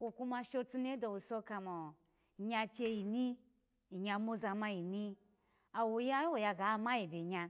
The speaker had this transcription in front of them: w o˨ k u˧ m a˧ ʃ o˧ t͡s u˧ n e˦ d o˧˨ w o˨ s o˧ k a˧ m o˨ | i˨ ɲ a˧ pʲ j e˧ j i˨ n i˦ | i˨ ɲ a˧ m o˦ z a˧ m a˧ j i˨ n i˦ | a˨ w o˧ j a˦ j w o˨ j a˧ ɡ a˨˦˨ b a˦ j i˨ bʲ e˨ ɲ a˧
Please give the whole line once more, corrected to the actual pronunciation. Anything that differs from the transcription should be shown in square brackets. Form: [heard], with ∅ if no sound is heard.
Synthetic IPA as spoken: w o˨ k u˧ m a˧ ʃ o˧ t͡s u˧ n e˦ d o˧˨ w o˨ s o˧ k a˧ m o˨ | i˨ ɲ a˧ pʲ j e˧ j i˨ n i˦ | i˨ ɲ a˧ m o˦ z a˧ m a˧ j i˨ n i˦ | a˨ w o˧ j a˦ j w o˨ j a˧ ɡ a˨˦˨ [m] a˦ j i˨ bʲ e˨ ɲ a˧